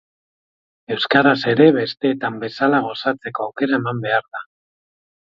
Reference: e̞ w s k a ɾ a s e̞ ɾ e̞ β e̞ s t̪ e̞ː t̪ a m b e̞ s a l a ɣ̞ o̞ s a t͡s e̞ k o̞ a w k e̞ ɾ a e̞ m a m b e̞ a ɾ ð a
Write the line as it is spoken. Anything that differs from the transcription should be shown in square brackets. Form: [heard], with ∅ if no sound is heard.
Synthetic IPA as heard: e̞ w s k a ɾ a s e̞ ɾ e̞ β e̞ s t̪ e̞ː t̪ a m b e̞ s a l a ɣ̞ o̞ s a t͡s e̞ k o̞ a w k e̞ ɾ a e̞ m a m b e̞ a ɾ ð a